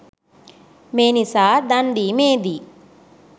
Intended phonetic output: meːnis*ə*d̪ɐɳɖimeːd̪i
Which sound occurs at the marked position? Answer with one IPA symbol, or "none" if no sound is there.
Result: a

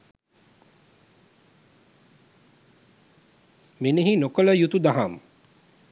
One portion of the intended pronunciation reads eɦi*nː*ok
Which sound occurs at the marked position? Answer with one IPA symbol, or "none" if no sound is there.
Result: n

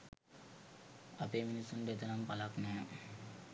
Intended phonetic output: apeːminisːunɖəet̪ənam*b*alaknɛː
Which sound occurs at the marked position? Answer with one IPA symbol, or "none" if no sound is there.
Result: p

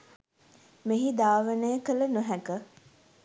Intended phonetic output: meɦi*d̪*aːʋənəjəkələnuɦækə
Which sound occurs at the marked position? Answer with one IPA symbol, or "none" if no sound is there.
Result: d̪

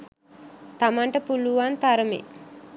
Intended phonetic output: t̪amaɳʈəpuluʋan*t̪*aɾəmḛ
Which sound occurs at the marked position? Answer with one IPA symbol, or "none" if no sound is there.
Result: t̪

